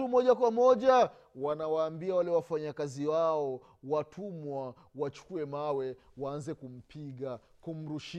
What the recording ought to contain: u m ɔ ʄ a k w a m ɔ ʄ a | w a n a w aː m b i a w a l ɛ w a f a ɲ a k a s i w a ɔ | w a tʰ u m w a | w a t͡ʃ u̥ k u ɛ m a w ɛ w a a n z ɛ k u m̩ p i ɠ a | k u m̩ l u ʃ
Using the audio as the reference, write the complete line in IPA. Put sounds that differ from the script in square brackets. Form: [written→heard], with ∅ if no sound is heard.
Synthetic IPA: u m ɔ ʄ a k w a m ɔ ʄ a | w a n a w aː m b i a w a l ɛ w a f a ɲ a k a [s→z] i w a ɔ | w a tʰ u m w a | w a t͡ʃ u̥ k u ɛ m a w ɛ w a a n z ɛ k u m̩ p i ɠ a | k u m̩ [l→ɾ] u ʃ